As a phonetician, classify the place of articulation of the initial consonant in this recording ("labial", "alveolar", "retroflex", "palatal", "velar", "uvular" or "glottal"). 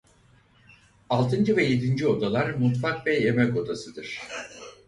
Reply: alveolar